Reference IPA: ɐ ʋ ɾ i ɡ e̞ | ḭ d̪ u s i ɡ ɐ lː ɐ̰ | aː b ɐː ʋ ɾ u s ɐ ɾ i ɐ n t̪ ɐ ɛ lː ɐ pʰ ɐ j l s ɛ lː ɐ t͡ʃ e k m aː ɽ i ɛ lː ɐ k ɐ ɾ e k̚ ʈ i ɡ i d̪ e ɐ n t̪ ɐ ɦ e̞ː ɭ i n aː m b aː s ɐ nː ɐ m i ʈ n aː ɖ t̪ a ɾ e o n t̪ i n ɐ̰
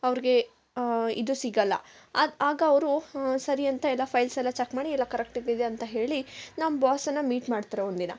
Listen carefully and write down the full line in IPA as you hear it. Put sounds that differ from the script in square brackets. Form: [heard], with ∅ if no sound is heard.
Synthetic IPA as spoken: ɐ ʋ ɾ i ɡ e̞ | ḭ d̪ u s i ɡ ɐ lː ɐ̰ | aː [ɡ] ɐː ʋ ɾ u s ɐ ɾ i ɐ n t̪ ɐ ɛ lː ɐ pʰ ɐ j l s ɛ lː ɐ t͡ʃ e k m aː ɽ i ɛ lː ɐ k ɐ ɾ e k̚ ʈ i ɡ i d̪ e ɐ n t̪ ɐ ɦ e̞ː ɭ i n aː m b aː s ɐ nː ɐ m [iː] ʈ [m] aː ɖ t̪ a ɾ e o n [d̪] i n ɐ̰

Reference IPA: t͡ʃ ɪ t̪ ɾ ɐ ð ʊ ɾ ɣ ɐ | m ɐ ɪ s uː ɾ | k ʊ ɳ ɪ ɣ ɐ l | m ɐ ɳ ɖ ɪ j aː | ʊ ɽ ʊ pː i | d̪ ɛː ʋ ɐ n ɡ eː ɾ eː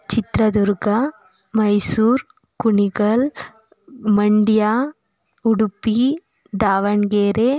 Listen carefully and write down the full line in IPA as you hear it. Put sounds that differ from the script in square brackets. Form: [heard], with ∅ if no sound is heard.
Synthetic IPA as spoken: t͡ʃ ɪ t̪ ɾ ɐ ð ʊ ɾ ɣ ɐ | m ɐ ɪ s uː ɾ | k ʊ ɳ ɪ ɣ ɐ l | m ɐ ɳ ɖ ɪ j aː | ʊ ɽ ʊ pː i | d̪ [aː] ʋ ɐ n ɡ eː ɾ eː

